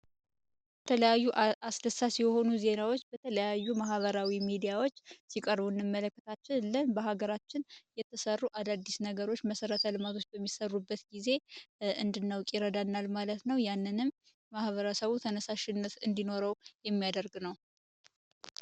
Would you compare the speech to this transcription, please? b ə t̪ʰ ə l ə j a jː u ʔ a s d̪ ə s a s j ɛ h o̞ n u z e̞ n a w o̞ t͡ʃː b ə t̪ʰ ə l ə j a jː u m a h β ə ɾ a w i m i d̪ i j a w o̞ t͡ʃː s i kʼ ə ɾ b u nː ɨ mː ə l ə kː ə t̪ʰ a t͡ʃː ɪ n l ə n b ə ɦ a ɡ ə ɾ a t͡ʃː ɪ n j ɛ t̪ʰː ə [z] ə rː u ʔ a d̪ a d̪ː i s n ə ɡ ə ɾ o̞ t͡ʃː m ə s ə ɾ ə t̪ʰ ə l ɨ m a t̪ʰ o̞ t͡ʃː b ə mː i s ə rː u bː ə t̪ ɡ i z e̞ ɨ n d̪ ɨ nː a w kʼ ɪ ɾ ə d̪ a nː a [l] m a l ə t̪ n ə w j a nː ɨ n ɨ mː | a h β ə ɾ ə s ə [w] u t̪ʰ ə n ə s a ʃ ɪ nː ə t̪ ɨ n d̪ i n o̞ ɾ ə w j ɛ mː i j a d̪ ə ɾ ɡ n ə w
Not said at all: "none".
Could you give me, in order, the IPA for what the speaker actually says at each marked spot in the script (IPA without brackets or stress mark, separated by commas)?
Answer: s, l, β